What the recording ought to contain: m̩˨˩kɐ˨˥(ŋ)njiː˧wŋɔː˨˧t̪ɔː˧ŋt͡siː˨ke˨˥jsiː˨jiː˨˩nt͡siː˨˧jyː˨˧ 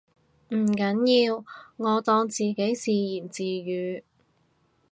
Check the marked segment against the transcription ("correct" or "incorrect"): incorrect